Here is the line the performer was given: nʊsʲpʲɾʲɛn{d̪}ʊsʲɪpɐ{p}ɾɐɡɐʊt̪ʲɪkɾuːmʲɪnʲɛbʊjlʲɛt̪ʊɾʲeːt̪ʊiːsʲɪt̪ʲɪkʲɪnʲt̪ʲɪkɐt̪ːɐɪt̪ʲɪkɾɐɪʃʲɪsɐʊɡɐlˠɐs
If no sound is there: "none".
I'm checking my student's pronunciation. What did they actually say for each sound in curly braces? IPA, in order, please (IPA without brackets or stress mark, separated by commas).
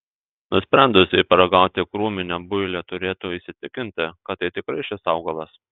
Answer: d̪, none